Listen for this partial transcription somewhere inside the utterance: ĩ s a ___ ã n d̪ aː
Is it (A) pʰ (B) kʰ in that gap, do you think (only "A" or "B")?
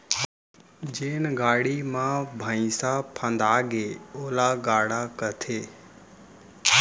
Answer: A